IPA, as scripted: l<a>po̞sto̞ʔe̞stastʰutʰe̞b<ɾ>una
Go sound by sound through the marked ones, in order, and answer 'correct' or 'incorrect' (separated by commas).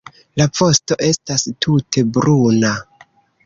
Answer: correct, correct